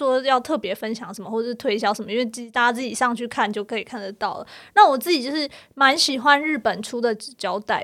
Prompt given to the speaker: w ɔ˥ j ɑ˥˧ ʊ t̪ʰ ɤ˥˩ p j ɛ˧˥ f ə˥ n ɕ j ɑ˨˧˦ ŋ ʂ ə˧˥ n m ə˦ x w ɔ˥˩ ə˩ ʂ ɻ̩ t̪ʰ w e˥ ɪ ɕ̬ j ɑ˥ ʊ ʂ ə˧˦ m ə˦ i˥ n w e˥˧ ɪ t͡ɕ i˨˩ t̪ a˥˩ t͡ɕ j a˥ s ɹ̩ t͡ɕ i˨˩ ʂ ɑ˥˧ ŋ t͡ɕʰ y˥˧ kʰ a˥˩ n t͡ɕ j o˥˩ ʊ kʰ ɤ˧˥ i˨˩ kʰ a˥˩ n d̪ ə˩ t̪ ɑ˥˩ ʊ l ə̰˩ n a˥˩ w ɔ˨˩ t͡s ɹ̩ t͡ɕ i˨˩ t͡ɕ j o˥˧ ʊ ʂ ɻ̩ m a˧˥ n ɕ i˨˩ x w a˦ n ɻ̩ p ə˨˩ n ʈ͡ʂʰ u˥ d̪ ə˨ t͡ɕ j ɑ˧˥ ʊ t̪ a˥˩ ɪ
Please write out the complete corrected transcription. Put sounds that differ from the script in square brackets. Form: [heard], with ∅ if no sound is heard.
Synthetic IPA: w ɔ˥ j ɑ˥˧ ʊ t̪ʰ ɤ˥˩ p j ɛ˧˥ f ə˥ n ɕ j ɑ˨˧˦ ŋ ʂ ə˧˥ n m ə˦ x w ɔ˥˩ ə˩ ʂ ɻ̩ t̪ʰ w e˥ ɪ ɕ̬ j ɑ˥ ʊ ʂ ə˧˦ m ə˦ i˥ n w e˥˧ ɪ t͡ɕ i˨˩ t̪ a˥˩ t͡ɕ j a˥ [t͡s] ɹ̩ t͡ɕ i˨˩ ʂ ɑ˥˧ ŋ t͡ɕʰ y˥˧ kʰ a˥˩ n t͡ɕ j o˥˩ ʊ kʰ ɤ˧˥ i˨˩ kʰ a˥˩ n d̪ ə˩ t̪ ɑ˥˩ ʊ l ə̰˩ n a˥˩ w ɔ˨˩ t͡s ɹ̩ t͡ɕ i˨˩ t͡ɕ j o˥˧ ʊ ʂ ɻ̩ m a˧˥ n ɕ i˨˩ x w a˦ n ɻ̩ p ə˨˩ n ʈ͡ʂʰ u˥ d̪ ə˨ t͡ɕ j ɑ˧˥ ʊ t̪ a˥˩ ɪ